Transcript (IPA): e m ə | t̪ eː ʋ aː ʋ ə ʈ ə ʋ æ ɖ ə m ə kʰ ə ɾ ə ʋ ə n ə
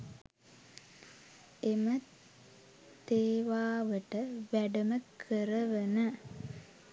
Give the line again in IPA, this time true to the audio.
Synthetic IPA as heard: e m ə | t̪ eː ʋ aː ʋ ə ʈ ə ʋ æ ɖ ə m ə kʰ ə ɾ ə ʋ ə n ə